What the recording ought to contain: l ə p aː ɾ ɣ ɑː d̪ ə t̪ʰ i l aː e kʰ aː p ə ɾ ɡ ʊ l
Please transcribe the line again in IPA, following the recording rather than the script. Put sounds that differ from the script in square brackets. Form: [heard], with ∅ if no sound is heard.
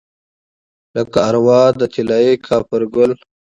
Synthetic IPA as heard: l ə [k] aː ɾ [w] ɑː d̪ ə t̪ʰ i l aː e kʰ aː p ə ɾ ɡ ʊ l